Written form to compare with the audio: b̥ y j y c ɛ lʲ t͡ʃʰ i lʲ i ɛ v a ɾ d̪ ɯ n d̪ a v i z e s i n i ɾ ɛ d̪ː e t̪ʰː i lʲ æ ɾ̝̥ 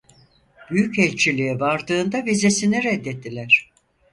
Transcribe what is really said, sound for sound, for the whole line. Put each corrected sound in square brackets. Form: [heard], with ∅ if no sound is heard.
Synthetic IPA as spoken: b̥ y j y c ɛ lʲ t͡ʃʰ i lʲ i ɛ v a ɾ d̪ [ɯː] n d̪ a v i z e s i n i ɾ ɛ d̪ː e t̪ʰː i lʲ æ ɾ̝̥